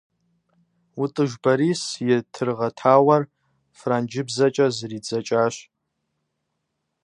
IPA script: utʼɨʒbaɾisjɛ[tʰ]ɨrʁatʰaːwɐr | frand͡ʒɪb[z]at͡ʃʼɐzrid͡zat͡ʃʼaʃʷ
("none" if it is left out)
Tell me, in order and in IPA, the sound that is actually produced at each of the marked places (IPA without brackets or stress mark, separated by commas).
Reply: tʰ, z